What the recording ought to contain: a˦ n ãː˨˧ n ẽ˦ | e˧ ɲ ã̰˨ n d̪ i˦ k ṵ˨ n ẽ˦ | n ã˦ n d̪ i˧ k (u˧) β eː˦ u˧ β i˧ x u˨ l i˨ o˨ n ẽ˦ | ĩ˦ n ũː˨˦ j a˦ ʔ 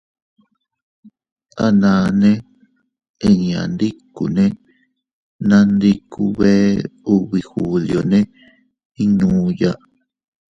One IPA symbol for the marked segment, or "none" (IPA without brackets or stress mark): u˧